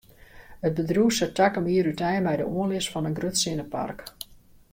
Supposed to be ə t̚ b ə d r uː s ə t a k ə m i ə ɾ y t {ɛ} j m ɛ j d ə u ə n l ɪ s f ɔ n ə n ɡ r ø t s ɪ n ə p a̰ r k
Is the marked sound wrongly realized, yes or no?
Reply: no